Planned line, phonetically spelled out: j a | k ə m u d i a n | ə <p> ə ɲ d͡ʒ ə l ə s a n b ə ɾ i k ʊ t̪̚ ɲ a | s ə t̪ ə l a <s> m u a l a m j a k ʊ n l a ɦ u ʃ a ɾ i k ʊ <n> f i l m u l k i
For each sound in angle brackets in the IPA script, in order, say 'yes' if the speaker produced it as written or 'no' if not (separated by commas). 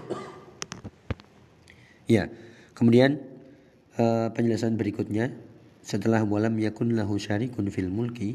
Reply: yes, no, yes